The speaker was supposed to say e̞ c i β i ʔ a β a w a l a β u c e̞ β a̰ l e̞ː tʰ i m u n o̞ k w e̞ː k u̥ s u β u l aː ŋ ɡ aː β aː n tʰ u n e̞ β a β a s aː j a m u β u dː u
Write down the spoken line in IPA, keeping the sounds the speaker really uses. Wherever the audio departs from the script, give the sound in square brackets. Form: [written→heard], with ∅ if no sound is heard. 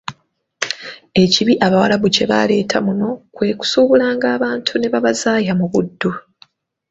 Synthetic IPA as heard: e̞ c i β i ʔ a β a w a l a β u c e̞ β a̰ l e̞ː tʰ [i→a] m u n o̞ k w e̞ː k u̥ s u β u l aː ŋ ɡ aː β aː n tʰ u n e̞ β a β a [s→z] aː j a m u β u dː u

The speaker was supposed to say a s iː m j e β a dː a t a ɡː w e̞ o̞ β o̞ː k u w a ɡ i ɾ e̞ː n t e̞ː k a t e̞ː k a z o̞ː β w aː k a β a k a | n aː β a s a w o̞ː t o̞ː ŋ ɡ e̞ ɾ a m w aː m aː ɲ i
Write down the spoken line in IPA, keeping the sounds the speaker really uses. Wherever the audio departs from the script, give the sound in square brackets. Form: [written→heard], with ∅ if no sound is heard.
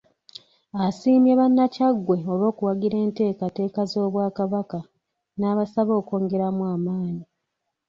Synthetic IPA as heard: a s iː m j e β a [dː→nː] a [t→c] a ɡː w e̞ o̞ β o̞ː k u w a ɡ i ɾ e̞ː n t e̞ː k a t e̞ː k a z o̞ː β w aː k a β a k a | n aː β a s a [w→β] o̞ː [t→k] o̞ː ŋ ɡ e̞ ɾ a m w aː m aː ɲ i

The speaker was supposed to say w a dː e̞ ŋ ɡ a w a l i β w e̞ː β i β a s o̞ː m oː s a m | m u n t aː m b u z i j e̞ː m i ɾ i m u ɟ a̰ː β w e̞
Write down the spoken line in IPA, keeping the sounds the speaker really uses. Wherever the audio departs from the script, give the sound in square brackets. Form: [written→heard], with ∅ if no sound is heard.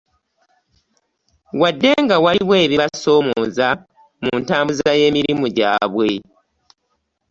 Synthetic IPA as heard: w a dː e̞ ŋ ɡ a w a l i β w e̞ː β i β a s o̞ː m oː [s→z] a [m→∅] | m u n t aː m b u z [i→a] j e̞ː m i ɾ i m u ɟ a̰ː β w e̞

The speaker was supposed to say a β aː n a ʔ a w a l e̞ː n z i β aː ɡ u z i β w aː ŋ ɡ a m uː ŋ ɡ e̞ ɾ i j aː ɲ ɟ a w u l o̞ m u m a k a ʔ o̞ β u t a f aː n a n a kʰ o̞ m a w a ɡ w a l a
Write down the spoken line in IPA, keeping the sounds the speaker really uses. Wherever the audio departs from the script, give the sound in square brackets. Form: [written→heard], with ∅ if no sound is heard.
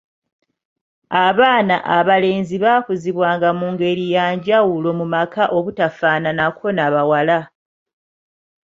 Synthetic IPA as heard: a β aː n a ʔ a [w→β] a l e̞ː n z i β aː [ɡ→k] u z i β w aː ŋ ɡ a m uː ŋ ɡ e̞ ɾ i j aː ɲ ɟ a w u l o̞ m u m a k a ʔ o̞ β u t a f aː n a n a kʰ o̞ [m→n] a [w→β] a [ɡ→∅] w a l a

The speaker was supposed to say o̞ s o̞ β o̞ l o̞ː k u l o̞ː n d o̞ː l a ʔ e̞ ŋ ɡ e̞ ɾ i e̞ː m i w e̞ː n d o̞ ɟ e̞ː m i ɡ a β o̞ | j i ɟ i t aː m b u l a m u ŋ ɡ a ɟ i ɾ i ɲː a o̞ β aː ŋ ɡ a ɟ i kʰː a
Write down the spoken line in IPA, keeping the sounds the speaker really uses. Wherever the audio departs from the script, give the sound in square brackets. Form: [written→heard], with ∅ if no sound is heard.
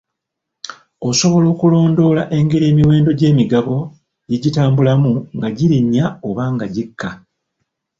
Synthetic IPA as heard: o̞ s o̞ β o̞ l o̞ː k u l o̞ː n d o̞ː l a ʔ e̞ ŋ ɡ e̞ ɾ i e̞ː m i w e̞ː n d o̞ ɟ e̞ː m i ɡ a β o̞ | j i ɟ i t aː m b u l a m u ŋ ɡ a ɟ i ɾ i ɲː a o̞ β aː ŋ ɡ a ɟ i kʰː a

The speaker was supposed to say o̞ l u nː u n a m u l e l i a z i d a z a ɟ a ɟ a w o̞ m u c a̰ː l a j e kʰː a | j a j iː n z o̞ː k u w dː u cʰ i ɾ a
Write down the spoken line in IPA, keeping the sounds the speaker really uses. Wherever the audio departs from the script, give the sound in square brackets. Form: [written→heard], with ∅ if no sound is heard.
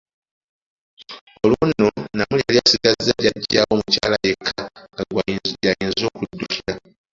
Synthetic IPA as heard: o̞ l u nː [u→o] n a m u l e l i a [z→s] i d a z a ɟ a ɟ a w o̞ m u c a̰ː l a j e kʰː a | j a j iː n z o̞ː k u [w→∅] dː u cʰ i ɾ a

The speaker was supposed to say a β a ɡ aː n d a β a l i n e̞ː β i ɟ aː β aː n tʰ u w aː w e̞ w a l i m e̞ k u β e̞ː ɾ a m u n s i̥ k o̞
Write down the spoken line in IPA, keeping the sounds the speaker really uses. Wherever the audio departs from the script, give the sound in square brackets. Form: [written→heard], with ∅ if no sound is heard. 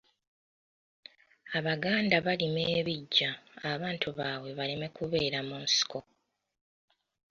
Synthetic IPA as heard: a β a ɡ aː n d a β a l i [n→m] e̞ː β i [ɟ→ɟː] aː β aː n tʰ u [w→β] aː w e̞ [w→β] a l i m e̞ k u β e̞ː ɾ a m u n s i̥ k o̞

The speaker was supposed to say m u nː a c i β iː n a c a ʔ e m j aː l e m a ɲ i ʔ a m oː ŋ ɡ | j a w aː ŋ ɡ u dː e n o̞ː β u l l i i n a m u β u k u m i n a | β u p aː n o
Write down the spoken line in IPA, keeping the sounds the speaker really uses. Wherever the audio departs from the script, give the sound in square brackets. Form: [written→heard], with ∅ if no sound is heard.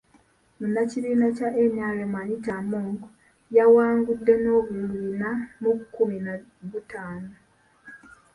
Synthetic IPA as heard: m u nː a c i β iː n a c a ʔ e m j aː l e m a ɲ i [ʔ→t] a m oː ŋ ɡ | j a w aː ŋ ɡ u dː e n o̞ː β u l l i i n a m u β u k u m i n a | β u [p→t] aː n o

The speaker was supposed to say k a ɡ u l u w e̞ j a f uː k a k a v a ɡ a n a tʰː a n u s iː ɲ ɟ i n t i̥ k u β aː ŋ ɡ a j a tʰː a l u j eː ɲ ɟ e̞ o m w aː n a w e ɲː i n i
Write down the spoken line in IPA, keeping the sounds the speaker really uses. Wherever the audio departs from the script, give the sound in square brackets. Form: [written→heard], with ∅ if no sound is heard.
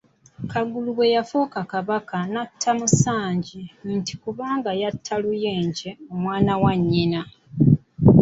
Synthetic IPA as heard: k a ɡ u l u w e̞ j a f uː k a k a [v→β] a [ɡ→k] a n a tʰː a [n→m] u s [iː→aː] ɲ ɟ i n t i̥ k u β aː ŋ ɡ a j a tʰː a l u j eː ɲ ɟ e̞ o m w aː n a w [e→a] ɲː i n [i→a]

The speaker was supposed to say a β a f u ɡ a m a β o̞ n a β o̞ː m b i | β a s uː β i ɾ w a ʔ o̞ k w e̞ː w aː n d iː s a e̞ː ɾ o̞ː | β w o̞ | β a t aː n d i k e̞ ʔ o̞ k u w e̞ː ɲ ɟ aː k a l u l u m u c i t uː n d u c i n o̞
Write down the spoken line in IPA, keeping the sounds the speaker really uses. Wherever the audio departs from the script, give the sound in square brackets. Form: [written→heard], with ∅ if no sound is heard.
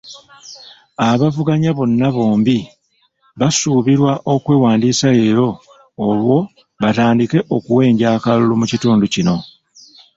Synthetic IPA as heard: a β a [f→v] u ɡ a [m→ɲ] a β o̞ [n→nː] a β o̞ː m b i | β a s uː β i ɾ w a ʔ o̞ k w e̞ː w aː n d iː s a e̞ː ɾ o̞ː | β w o̞ | β a t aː n d i k e̞ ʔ o̞ k u w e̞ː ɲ ɟ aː k a l u l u m u c i t uː n d u c i n o̞

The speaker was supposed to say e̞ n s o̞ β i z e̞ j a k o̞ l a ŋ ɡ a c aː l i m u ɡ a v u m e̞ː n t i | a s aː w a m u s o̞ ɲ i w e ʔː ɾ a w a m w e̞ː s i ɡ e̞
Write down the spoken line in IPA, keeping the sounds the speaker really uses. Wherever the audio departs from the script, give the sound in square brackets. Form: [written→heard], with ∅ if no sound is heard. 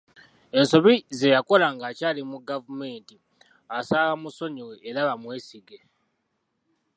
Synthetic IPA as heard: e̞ n s o̞ β i z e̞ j a k o̞ l a ŋ ɡ a c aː l i m u ɡ a v u m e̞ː n t i | a s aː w a m u s o̞ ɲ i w e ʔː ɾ a [w→β] a m w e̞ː s i ɡ e̞

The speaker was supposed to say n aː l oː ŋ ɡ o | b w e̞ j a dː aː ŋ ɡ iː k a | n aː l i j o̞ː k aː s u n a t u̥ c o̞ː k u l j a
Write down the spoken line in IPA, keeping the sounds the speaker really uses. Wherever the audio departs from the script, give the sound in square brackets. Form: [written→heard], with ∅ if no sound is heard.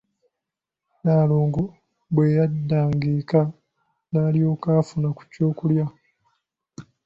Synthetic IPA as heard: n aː l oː ŋ ɡ o | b w e̞ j a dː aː ŋ ɡ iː k a | n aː l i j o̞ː k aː [s→f] u n a [t→k] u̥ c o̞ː k u l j a

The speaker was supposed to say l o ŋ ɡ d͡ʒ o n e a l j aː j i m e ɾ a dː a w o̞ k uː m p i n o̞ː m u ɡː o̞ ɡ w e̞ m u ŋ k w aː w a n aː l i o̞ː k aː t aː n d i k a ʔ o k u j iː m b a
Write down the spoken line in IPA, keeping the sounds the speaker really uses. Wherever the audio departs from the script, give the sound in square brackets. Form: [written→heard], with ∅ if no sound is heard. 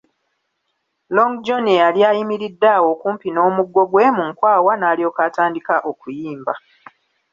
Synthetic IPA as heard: l o ŋ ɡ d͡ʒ o n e a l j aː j i m [e→i] ɾ [a→i] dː a w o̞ k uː m p i n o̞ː m u ɡː o̞ ɡ w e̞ m u ŋ k w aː w a n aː l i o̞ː k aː t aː n d i k a ʔ o k u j iː m b a

